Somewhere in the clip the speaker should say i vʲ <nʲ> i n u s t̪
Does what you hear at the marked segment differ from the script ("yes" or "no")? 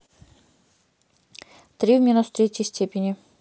yes